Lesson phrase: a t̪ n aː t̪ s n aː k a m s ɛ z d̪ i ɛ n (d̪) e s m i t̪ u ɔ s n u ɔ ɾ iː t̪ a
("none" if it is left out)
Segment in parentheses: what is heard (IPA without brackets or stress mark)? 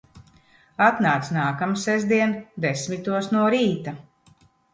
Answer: d̪